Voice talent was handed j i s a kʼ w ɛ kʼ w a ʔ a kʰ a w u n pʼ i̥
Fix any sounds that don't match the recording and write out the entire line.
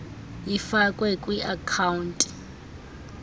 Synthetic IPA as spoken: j i f a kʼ w ɛ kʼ w i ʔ a kʰ a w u n tʼ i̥